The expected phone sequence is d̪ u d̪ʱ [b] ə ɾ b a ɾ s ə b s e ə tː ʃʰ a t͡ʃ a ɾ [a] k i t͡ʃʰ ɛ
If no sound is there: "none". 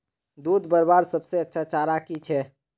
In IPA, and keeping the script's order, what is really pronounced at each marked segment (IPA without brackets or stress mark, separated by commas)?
b, a